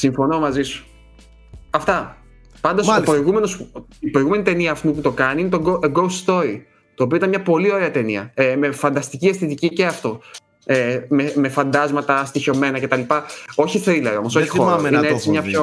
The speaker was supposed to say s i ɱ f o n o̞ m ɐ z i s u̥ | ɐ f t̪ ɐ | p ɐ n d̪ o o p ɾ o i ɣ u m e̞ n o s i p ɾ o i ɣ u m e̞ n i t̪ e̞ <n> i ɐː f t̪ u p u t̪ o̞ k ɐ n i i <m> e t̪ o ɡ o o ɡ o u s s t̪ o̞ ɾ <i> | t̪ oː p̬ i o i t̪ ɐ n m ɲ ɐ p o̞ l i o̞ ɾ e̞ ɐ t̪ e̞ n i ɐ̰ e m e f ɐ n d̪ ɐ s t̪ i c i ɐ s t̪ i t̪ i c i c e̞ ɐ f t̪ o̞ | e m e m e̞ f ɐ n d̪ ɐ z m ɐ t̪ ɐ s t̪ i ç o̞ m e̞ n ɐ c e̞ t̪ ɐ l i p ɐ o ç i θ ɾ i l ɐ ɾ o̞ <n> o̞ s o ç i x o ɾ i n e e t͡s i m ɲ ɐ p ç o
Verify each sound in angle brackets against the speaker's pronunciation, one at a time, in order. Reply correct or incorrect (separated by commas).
correct, incorrect, correct, incorrect